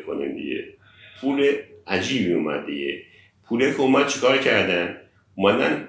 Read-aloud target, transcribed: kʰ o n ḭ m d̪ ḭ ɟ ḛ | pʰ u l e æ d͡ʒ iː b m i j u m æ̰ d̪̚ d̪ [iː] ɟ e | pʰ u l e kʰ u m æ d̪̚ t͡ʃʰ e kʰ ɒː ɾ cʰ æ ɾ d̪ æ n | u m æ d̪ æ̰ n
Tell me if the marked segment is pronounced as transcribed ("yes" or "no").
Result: no